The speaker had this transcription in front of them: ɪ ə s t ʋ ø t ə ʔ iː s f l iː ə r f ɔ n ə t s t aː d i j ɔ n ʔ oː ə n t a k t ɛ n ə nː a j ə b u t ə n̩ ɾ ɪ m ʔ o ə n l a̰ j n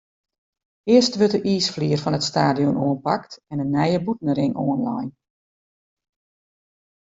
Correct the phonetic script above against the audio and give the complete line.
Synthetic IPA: ɪ ə s t ʋ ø t ə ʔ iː s f l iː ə r f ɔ n ə t s t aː d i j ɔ n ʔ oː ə n p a k t ɛ n ə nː ɛ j ə b u t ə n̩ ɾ ɪ ŋ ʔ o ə n l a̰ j n

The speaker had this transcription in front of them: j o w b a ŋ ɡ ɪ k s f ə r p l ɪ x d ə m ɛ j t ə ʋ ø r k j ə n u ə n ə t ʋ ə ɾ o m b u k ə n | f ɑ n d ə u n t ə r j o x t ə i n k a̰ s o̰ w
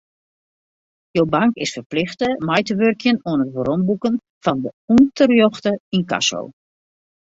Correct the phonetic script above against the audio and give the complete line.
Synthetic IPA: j o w b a ŋ k ɪ s f ə r p l ɪ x t ə m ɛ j t ə ʋ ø r k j ə n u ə n ə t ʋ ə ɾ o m b u k ə n | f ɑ n d ə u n t ə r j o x t ə i n k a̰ s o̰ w

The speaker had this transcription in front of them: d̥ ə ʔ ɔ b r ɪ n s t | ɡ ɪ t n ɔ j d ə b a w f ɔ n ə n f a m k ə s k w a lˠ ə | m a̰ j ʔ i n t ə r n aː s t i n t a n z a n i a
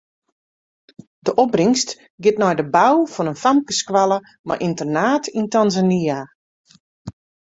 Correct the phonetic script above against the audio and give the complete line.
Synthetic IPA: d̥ ə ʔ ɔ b r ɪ ŋ s t | ɡ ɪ t n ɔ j d ə b a w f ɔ n ə n f a m k ə s k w a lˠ ə | m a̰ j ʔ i n t ə r n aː t i n t a n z a n i a

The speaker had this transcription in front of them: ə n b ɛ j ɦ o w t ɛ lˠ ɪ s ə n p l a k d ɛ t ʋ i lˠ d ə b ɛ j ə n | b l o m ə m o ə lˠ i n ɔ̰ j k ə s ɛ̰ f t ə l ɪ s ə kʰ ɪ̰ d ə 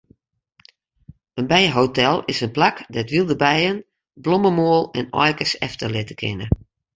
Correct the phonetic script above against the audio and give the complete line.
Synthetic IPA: ə n b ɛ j ɦ o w t ɛ lˠ ɪ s ə n p l a k d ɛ t ʋ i lˠ d ə b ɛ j ə n | b l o m ə m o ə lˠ ɛ n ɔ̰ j k ə s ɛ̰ f t ə l ɪ t ə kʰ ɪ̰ n ə

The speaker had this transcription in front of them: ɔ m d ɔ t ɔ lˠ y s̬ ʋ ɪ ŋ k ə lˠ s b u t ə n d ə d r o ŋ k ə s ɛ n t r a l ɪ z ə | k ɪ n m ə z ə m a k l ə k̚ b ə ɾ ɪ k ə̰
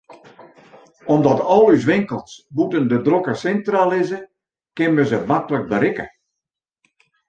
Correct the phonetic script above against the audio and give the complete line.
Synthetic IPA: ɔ m d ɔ t ɔ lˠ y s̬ ʋ ɪ ŋ k ə lˠ s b u t ə n d ə d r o k ə s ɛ n t r a l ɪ z ə | k ɪ n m ə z ə m a k l ə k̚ b ə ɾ ɪ k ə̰

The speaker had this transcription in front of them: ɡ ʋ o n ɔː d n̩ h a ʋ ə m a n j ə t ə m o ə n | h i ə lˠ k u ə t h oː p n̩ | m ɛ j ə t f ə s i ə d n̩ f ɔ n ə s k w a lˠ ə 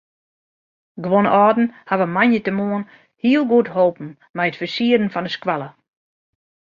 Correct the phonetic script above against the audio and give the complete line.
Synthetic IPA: ɡ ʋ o n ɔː d n̩ h a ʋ ə m a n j ə t ə m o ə n | h i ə lˠ ɡ u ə t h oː p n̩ | m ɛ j ə t f ə s i ə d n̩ f ɔ n ə s k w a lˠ ə

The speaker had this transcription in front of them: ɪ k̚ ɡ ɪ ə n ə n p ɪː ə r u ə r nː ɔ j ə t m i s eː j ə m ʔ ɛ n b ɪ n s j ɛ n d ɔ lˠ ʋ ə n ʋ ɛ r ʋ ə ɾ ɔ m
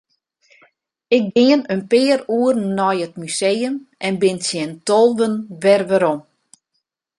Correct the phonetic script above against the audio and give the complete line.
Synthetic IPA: ɪ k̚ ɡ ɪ ə n ə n p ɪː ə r u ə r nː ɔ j ə t m y s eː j ə m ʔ ɛ n b ɪ n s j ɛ n t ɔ lˠ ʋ ə n ʋ ɛ r ʋ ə ɾ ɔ m

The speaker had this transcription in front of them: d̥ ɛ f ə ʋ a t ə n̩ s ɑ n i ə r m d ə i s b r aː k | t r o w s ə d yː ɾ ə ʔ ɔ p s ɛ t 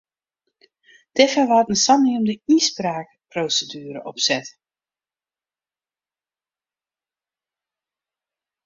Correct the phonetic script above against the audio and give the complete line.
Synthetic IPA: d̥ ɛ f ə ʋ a t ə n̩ s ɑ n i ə m d ə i s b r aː k | p r o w s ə d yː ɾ ə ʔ ɔ p s ɛ t

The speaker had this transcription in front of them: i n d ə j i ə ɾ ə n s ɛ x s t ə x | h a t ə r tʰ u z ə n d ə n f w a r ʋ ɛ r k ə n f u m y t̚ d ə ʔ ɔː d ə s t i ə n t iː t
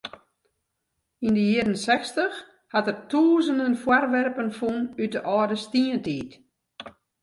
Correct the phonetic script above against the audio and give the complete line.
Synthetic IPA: i n d ə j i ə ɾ ə n s ɛ x s t ə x | h a t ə r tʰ uː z ə n d ə n f w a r ʋ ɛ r p ə n f u n y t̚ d ə ʔ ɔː d ə s t i ə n t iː t

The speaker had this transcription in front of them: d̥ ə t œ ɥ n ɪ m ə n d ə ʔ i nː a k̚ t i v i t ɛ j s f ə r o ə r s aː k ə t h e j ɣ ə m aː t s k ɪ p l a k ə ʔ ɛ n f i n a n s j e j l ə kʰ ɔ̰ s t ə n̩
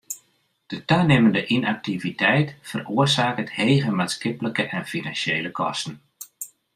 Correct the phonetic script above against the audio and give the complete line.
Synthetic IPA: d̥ ə t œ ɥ n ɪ m ə n d ə ʔ i n a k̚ t i v i t ɛ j t f ə r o ə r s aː k ə t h e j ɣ ə m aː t s k ɪ p l ə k ə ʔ ɛ n f i n a n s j e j l ə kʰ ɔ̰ s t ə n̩

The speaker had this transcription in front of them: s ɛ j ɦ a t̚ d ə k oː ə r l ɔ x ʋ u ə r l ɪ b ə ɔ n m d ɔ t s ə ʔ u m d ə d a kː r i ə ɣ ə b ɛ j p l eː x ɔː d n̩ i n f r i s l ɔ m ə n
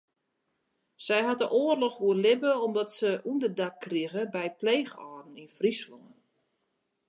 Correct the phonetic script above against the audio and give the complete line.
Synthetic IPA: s ɛ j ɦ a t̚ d ə ʔ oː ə r l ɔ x ʋ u ə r l ɪ b ə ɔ m d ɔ t s ə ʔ u n d ə d a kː r i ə ɣ ə b ɛ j p l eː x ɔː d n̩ i n f r i s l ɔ ŋ ə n

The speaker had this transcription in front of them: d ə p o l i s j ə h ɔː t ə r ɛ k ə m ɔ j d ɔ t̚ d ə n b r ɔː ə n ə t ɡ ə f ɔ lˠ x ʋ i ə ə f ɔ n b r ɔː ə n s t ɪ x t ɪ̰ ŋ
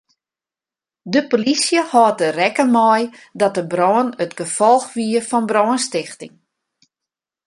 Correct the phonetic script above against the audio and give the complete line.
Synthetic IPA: d ə p o l i s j ə h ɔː t ə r ɛ k ə m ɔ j d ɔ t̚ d ə b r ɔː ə n ə t ɡ ə f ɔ lˠ x ʋ i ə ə f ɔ n b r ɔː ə n s t ɪ x t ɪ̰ ŋ

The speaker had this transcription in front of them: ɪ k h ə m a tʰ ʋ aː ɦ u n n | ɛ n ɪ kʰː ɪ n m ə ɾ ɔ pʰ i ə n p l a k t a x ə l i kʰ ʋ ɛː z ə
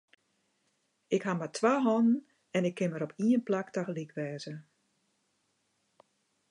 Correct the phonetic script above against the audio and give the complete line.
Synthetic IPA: ɪ k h a m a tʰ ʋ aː ɦ ɔ n n | ɛ n ɪ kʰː ɪ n m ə ɾ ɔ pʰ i ə n p l a k t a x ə l i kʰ ʋ ɛː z ə

